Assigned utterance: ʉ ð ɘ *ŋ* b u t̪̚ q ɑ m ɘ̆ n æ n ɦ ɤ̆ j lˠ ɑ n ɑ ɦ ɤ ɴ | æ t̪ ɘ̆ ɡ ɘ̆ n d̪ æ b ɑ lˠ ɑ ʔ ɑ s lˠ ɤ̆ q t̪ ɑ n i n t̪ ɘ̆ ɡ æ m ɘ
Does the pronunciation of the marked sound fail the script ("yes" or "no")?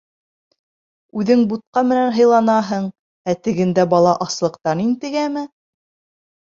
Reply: no